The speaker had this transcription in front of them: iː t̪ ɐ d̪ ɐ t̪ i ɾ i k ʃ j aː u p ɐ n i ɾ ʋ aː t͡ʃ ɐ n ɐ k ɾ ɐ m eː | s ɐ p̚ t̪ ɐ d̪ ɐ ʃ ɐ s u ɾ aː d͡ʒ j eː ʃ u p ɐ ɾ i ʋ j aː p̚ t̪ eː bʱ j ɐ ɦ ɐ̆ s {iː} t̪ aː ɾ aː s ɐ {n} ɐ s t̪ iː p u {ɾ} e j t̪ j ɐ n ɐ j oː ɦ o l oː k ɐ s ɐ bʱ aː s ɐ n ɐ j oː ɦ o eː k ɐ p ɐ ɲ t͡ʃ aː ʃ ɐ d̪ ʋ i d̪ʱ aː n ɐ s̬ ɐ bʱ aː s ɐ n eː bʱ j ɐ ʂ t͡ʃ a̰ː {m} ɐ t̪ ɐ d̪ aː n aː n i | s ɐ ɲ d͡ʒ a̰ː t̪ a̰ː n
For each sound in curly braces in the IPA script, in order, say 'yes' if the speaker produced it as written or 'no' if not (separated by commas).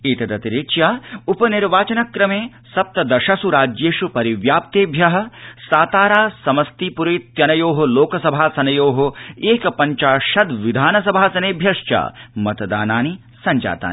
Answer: no, no, yes, yes